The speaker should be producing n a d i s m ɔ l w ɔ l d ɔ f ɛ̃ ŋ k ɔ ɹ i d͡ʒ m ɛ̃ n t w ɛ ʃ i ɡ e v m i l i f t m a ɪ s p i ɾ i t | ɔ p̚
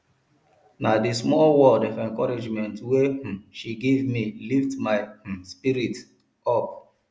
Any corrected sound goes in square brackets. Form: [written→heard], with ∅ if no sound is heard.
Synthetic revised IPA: n a d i s m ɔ l w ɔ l d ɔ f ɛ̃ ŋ k ɔ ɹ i d͡ʒ m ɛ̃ n t w [ɛ→e] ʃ i ɡ e v m i l i f t m a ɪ s p i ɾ i t | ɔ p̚